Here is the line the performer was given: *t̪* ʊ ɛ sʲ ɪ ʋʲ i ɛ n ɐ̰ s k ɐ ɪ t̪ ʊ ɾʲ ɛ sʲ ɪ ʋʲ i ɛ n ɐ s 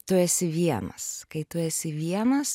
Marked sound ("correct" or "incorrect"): correct